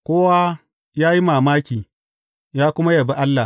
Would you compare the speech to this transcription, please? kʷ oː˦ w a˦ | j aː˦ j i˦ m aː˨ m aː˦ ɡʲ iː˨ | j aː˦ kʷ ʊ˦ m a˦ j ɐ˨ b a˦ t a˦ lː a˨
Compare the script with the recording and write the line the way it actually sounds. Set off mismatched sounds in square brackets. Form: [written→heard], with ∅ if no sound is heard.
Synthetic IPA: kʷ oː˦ w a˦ | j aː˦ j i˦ m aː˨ m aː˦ [ɡʲ→kʲ] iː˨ | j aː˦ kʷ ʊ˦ m a˦ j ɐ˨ b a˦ [t→ʔ] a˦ lː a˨

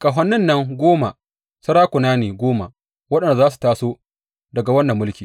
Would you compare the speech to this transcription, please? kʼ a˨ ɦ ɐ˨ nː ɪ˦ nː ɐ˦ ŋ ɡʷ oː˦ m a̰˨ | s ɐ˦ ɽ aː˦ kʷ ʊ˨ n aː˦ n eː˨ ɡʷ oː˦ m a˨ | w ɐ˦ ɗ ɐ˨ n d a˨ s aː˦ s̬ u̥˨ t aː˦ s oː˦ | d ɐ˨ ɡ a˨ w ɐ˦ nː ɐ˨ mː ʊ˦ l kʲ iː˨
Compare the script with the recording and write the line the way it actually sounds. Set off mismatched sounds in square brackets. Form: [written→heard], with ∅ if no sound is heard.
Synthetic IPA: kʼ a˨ ɦ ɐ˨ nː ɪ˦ nː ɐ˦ ŋ ɡʷ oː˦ m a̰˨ | s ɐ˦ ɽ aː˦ kʷ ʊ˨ n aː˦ n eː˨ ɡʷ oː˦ m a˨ | w ɐ˦ ɗ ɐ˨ n d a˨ [s→z] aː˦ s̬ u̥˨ t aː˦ s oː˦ | d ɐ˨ ɡ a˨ w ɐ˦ nː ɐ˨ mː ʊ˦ l kʲ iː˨

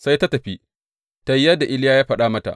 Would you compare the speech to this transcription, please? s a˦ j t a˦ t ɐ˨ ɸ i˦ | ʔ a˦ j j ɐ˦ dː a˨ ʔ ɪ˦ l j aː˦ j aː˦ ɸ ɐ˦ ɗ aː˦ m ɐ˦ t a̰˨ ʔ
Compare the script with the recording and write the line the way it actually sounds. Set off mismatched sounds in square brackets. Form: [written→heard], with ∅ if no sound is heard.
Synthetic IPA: s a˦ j t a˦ t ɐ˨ ɸ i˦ | [ʔ→t] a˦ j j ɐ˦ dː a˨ ʔ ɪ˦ l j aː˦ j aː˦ ɸ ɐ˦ ɗ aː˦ m ɐ˦ t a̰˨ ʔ

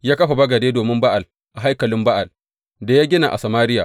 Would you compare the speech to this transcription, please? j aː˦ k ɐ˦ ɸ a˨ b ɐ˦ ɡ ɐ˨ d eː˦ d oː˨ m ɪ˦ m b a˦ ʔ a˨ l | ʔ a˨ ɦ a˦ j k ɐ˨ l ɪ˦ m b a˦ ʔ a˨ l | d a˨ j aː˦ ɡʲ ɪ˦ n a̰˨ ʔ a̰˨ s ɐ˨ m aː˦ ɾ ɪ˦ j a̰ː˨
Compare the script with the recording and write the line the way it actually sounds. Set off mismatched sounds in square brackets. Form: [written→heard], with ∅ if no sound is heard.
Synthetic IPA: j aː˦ k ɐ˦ ɸ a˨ b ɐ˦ ɡ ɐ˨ d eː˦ d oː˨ m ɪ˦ m b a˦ ʔ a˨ l | ʔ a˨ ɦ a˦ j k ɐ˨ l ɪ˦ m b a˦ ʔ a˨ l | d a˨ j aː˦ ɡʲ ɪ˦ n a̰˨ ʔ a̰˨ s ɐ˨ m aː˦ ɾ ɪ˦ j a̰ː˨

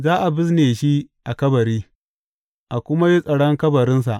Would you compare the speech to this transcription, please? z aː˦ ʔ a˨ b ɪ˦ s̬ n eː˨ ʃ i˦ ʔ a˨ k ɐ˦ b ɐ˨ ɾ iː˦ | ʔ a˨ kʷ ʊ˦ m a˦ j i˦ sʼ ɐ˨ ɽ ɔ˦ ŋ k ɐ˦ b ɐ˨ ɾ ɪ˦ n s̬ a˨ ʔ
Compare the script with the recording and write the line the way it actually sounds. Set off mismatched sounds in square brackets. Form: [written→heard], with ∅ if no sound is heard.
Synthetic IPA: z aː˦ ʔ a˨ b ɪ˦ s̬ n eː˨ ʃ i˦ ʔ a˨ k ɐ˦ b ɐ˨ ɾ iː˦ | ʔ a˨ kʷ ʊ˦ m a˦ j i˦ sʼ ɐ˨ ɽ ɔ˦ ŋ k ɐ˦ b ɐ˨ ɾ ɪ˦ n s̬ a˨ ʔ

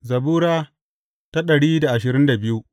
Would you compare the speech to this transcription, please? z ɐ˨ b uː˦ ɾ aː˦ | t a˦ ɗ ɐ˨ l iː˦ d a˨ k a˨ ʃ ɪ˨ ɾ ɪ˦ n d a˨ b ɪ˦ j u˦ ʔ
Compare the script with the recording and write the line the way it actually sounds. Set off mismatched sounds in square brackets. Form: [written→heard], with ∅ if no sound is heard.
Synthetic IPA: z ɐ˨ b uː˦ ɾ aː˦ | t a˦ ɗ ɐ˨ [l→ɽ] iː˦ d a˨ [k→ʔ] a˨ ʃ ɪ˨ ɾ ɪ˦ n d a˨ b ɪ˦ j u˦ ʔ

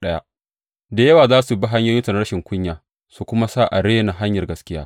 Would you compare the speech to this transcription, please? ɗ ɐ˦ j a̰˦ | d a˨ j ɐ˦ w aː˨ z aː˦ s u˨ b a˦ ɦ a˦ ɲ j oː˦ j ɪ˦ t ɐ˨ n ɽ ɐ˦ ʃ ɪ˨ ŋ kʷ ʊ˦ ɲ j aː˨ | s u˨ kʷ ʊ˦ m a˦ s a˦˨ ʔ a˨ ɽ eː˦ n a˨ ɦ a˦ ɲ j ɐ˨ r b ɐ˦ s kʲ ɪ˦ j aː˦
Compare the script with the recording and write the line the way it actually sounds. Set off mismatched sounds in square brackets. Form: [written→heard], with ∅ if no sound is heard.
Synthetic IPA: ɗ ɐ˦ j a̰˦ | d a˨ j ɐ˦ w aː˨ z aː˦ s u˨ b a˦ ɦ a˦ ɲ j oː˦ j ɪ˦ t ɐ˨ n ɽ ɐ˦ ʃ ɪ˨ ŋ kʷ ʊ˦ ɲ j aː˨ | s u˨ kʷ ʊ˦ m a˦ s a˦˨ ʔ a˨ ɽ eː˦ n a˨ ɦ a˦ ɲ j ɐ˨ r [b→ɡ] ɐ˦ s kʲ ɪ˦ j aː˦

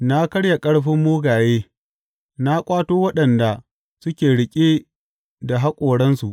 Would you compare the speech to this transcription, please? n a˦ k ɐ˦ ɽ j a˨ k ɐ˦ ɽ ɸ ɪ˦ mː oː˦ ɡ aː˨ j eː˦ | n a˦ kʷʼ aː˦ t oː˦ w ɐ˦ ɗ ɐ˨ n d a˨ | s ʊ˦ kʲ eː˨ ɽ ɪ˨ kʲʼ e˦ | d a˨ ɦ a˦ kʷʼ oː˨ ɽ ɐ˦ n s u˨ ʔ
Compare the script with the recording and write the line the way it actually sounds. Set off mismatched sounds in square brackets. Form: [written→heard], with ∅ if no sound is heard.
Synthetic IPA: n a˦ k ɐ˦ ɽ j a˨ [k→kʼ] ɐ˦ ɽ ɸ ɪ˦ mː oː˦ ɡ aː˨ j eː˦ | n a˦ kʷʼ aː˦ t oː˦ w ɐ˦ ɗ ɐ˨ n d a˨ | s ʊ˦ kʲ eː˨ ɽ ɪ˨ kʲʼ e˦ | d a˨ ɦ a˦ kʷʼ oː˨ ɽ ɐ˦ n s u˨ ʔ

